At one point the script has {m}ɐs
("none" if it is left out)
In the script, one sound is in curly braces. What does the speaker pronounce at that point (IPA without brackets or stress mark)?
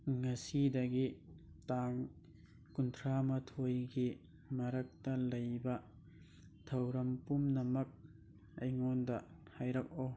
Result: ŋ